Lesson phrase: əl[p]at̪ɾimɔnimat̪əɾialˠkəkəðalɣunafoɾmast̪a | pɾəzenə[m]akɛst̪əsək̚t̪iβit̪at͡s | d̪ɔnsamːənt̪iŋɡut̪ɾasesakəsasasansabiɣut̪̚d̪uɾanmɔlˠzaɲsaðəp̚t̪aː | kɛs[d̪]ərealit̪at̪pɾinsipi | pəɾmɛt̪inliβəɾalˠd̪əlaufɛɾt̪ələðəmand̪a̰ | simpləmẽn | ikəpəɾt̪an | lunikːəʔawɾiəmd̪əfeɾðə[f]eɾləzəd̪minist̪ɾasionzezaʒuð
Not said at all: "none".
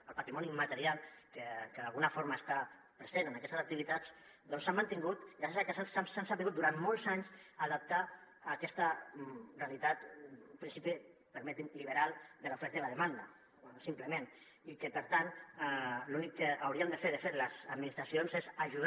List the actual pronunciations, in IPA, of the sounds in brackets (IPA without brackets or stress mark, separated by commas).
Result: p, n, t̪, f